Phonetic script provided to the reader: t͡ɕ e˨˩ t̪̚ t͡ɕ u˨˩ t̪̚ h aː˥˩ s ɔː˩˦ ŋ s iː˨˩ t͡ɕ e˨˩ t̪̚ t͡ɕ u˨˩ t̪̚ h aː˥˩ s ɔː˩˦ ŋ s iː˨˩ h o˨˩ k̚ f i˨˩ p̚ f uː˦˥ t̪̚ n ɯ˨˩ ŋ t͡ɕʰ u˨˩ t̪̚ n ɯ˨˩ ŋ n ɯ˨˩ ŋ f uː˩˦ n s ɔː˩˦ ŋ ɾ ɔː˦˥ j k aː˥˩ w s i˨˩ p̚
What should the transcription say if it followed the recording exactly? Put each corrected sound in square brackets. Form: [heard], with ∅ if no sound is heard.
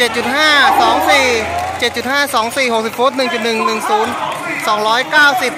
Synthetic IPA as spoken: t͡ɕ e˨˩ t̪̚ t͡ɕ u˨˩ t̪̚ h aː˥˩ s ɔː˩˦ ŋ s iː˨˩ t͡ɕ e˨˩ t̪̚ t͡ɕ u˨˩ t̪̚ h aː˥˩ s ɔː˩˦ ŋ s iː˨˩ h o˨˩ k̚ [s] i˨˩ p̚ f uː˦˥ t̪̚ n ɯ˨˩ ŋ [t͡ɕ] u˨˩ t̪̚ n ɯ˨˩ ŋ n ɯ˨˩ ŋ [s] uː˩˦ n s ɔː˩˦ ŋ ɾ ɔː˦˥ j k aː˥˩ w s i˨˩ p̚